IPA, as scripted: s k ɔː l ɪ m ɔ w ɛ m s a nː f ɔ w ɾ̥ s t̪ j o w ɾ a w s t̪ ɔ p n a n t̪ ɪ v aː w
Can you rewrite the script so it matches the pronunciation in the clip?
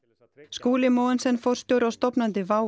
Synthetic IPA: s k uː l ɪ m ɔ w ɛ n s ɛ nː f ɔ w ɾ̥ s t̪ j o w ɾ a w s t̪ ɔ p n a n t̪ ɪ v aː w